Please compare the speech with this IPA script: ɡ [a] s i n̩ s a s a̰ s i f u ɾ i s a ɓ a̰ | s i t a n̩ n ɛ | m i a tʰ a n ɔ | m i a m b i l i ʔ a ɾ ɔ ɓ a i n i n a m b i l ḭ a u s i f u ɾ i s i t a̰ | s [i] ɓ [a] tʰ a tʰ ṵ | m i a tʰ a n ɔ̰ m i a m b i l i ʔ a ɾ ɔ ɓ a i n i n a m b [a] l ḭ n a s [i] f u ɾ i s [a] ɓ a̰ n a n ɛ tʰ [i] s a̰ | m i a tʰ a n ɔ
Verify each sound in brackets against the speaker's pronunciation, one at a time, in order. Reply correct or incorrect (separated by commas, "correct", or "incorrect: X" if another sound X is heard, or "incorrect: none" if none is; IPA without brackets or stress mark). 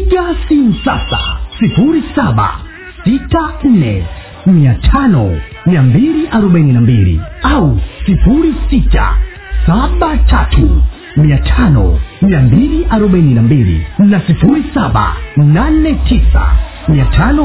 correct, incorrect: a, correct, incorrect: i, correct, correct, correct